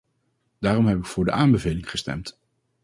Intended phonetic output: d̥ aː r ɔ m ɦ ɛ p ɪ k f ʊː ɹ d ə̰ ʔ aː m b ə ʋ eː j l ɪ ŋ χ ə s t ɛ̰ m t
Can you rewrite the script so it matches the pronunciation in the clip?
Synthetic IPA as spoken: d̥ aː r ɔ m ɦ ɛ p ɪ k f ʊː ɹ d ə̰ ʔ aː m b ə v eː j l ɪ ŋ χ ə s t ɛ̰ m t